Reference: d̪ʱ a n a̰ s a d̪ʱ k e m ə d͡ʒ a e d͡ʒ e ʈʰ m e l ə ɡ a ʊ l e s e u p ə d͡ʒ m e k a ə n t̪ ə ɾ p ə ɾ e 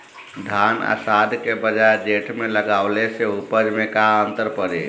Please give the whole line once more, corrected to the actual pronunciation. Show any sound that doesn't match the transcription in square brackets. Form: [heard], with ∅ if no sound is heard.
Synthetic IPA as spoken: d̪ʱ a n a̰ s a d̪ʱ k e [b] ə d͡ʒ a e d͡ʒ e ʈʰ m e l ə ɡ a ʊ l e s e u p ə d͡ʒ m e k a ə n t̪ ə ɾ p ə ɾ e